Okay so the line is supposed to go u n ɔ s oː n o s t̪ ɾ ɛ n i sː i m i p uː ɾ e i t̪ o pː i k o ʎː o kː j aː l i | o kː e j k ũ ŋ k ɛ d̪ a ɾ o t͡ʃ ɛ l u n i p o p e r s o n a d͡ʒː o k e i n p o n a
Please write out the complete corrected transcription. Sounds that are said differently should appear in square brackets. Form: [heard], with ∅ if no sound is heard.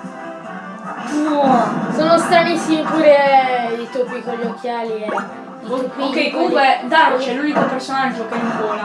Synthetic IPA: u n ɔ s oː n o s t̪ ɾ [a] n i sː i m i p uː ɾ e i t̪ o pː i k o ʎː o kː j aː l i | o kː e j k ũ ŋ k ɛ d̪ a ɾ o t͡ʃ ɛ l u n i [k] o p e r s o n a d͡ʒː o k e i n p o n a